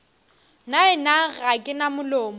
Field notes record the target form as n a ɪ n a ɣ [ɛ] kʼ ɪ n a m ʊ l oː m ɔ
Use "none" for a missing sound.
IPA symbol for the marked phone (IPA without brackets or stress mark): a